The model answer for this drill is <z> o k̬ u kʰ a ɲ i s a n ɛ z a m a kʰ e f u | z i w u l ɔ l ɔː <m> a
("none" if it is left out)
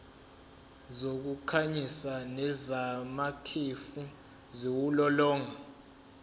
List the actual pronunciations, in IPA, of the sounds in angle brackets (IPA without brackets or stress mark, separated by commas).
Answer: z, ŋ